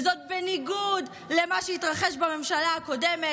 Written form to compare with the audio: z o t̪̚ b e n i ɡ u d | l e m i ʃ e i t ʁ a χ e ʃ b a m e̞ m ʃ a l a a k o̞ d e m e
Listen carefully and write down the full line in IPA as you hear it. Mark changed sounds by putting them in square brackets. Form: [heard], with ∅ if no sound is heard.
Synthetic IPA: z o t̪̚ b e n i ɡ u d | l e m [a] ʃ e i t ʁ a χ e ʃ b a m e̞ m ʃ a l a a k o̞ d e m e